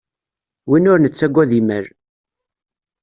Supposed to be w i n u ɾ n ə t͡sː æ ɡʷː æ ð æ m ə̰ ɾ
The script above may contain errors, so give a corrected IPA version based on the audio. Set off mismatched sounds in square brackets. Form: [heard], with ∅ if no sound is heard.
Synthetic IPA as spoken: w i n [ʊ] ɾ n ə t͡sː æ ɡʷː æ ð [i] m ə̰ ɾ